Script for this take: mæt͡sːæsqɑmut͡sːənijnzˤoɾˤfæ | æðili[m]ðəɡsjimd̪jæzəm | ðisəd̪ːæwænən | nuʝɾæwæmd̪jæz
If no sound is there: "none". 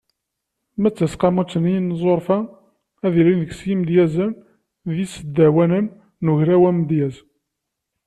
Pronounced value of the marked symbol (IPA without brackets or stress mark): n